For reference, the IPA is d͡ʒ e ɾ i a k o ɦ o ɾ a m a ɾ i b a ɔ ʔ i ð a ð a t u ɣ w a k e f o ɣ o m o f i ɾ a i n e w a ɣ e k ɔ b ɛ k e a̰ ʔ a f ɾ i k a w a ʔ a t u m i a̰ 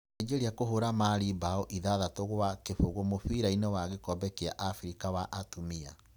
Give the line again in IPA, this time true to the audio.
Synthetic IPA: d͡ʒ e ɾ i a k o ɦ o ɾ a m a ɾ i b a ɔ ʔ i ð a ð a t o ɣ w a k e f o ɣ o m o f i ɾ a i n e w a ɣ e k ɔ b ɛ k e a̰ ʔ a f ɾ i k a w a ʔ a t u m i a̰